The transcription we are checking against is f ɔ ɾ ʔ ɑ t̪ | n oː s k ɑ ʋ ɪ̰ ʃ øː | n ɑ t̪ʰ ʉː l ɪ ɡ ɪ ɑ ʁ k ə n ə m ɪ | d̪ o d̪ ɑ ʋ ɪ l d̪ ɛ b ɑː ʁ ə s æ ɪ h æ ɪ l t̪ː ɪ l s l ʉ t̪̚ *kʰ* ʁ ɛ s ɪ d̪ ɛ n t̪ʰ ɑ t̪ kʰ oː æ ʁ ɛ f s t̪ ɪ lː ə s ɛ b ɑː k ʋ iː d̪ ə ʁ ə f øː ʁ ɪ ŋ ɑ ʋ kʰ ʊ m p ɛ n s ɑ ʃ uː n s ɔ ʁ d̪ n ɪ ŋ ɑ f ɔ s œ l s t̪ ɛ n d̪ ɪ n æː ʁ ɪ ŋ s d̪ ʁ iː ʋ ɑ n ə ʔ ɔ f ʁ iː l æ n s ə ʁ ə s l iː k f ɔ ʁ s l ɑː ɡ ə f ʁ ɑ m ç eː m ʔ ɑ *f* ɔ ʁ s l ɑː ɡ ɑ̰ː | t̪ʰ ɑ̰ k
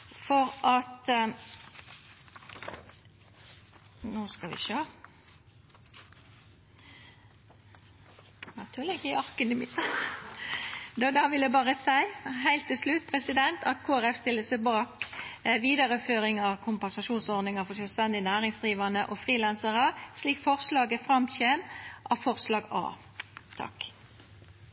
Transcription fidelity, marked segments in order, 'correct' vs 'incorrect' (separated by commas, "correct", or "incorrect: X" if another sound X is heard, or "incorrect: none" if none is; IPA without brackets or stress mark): incorrect: pʰ, correct